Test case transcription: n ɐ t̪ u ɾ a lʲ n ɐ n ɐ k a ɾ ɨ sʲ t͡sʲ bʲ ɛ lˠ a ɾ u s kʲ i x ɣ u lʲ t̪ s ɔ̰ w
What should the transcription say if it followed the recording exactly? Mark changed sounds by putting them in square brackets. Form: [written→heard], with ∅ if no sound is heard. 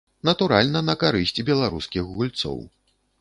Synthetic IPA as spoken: n ɐ t̪ u ɾ a lʲ n ɐ n ɐ k a ɾ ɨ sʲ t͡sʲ bʲ ɛ lˠ a ɾ u s kʲ i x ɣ u lʲ t̪ s ɔ̰ w